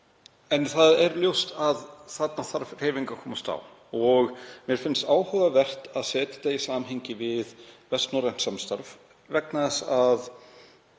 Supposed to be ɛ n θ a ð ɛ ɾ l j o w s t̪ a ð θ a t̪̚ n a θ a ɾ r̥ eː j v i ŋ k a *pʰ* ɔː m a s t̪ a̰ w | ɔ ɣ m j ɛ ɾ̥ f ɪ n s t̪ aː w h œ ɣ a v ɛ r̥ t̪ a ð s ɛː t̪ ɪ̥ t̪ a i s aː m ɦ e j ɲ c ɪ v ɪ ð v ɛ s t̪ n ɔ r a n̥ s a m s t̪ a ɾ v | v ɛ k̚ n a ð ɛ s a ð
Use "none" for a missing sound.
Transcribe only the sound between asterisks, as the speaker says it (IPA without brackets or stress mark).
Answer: kʰ